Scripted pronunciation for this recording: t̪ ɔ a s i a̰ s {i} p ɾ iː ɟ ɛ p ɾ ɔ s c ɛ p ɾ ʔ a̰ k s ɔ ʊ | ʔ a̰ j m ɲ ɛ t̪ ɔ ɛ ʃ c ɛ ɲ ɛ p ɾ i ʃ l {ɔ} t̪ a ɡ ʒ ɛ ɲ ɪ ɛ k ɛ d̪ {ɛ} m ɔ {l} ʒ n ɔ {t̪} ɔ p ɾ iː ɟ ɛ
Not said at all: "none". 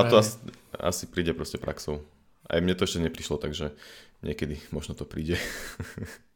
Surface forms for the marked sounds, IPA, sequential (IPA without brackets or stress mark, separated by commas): i, ɔ, i, none, t̪